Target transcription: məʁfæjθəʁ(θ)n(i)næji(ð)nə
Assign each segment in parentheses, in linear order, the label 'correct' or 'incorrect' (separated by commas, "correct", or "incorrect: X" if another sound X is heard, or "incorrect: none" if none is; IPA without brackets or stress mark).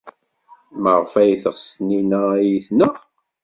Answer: incorrect: s, correct, incorrect: θ